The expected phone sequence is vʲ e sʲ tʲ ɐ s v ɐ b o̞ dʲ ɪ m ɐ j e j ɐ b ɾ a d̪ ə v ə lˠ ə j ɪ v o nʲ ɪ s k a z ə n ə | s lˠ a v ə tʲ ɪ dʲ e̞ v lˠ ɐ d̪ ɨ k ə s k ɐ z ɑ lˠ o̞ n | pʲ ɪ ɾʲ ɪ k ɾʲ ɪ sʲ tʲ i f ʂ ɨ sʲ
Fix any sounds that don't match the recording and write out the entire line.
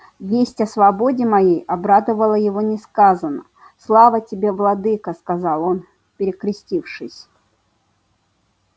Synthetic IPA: vʲ e sʲ tʲ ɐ s v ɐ b o̞ dʲ ɪ m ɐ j e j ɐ b ɾ a d̪ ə v ə lˠ ə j ɪ v o nʲ ɪ s k a z ə n ə | s lˠ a v ə tʲ ɪ bʲ e̞ v lˠ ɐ d̪ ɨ k ə s k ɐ z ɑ lˠ o̞ n | pʲ ɪ ɾʲ ɪ k ɾʲ ɪ sʲ tʲ i f ʂ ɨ sʲ